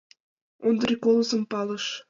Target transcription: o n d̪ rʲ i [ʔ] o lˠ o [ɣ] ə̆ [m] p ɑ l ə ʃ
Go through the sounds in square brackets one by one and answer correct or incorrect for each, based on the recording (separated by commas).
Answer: incorrect, incorrect, correct